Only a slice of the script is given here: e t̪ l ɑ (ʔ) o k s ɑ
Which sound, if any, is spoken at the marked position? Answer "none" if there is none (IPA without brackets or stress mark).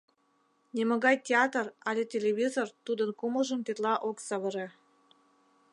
ʔ